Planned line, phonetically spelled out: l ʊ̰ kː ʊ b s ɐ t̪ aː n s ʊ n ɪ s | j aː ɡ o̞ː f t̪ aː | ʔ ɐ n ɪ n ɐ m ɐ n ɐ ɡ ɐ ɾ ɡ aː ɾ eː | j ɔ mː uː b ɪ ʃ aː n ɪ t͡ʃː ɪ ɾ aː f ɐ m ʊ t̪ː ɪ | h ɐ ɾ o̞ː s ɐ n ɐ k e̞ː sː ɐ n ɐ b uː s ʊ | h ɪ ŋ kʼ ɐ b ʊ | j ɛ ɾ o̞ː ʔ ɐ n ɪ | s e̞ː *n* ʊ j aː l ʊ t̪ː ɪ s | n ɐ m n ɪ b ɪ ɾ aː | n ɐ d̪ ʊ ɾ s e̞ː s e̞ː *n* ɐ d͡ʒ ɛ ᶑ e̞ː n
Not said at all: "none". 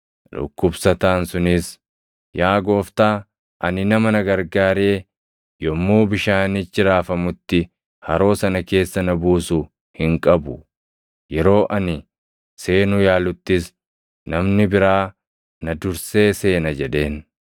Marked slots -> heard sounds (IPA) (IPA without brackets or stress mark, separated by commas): n, n